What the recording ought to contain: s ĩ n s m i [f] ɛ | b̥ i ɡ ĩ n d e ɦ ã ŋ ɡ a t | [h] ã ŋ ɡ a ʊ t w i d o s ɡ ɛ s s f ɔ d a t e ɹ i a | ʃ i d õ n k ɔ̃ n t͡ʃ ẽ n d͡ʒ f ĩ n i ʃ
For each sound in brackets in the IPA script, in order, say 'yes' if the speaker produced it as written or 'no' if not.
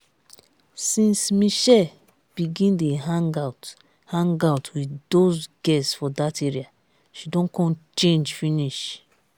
no, yes

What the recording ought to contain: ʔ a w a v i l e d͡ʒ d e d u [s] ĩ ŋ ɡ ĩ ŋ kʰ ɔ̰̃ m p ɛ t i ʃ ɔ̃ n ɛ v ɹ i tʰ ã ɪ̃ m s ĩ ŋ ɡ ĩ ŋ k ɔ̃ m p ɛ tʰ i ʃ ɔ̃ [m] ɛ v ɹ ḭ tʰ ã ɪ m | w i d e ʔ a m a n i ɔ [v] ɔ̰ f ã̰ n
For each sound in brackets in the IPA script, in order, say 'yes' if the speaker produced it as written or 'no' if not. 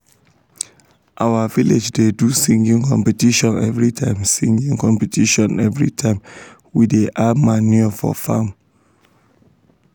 yes, no, no

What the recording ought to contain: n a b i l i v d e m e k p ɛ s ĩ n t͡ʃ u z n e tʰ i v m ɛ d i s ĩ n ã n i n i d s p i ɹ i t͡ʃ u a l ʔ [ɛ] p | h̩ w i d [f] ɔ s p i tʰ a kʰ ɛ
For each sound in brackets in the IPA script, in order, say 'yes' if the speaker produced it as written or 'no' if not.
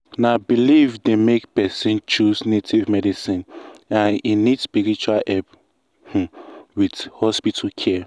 yes, no

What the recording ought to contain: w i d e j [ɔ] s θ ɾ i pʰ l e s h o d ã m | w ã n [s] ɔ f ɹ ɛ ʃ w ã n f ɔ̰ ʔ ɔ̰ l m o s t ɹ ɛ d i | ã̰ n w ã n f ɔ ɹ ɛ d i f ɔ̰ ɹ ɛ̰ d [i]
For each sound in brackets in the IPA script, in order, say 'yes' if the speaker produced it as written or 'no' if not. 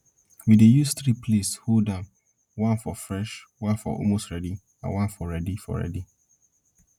no, no, yes

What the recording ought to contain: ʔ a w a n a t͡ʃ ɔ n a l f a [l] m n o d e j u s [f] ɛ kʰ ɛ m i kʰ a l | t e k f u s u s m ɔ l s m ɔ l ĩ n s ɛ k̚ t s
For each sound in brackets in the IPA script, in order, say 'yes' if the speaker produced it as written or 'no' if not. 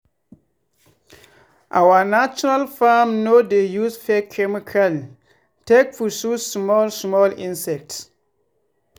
no, yes

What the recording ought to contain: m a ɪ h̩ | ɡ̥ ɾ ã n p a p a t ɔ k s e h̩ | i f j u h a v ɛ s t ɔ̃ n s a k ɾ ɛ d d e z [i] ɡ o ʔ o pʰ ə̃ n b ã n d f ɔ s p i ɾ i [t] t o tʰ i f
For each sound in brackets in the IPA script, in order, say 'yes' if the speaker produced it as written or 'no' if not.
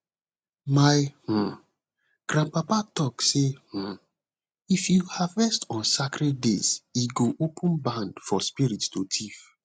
yes, yes

